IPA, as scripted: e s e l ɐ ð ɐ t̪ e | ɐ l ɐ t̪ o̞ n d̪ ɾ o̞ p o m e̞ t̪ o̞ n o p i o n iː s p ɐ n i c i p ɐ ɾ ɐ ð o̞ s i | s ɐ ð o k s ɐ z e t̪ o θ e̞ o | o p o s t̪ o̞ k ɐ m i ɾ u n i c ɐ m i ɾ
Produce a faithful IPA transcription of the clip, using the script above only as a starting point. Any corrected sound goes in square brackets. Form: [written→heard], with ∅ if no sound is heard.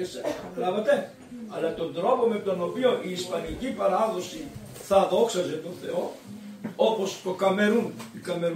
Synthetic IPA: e s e l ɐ [ð→v] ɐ t̪ e | ɐ l ɐ t̪ o̞ n d̪ ɾ o̞ p o m e̞ t̪ o̞ n o p i o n iː s p ɐ n i c i p ɐ ɾ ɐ ð o̞ s i | [s→θ] ɐ ð o k s ɐ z e t̪ o θ e̞ o | o p o s t̪ o̞ k ɐ m [i→e] ɾ u n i [c→k] ɐ m [i→e] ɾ